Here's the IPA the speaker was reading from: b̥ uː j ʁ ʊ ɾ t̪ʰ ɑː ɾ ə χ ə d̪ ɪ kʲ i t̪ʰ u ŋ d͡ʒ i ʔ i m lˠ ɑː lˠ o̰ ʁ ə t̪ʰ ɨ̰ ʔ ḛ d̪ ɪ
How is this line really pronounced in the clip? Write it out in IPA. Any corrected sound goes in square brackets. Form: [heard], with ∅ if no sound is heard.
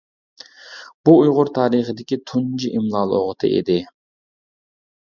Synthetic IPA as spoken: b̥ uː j ʁ ʊ ɾ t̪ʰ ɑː ɾ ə χ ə d̪ ɪ kʲ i t̪ʰ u [n] d͡ʒ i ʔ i m lˠ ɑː lˠ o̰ ʁ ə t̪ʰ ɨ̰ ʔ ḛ d̪ ɪ